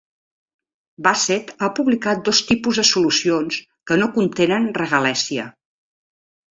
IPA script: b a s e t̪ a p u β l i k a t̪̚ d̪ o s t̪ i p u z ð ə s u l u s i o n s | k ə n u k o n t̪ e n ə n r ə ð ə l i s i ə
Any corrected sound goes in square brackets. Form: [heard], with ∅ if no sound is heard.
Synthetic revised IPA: b a s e t̪ a p u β l i k a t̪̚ d̪ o s t̪ i p u z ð ə s u l u s i o n s | k ə n [o] k [u] n t̪ e n ə n r ə [ɣ] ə l [ɛ] s i ə